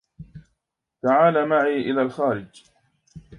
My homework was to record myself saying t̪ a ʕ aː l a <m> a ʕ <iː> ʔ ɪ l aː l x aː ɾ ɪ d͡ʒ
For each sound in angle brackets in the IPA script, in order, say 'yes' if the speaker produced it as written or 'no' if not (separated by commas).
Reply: yes, yes